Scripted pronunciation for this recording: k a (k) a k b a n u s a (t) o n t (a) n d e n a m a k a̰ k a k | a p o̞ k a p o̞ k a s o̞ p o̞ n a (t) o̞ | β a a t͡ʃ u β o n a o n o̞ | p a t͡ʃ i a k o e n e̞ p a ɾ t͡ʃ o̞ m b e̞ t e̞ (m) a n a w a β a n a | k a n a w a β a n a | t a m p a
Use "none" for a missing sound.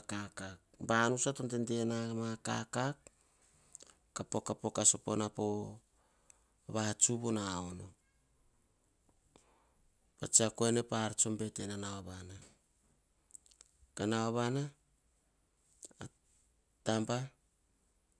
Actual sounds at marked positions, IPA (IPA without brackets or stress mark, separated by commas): k, t, e, p, n